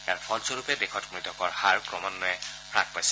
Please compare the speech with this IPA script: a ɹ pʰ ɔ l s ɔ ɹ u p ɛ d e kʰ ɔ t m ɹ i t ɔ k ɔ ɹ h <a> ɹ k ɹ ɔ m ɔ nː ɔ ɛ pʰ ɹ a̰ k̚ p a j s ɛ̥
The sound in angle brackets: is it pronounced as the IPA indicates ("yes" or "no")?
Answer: yes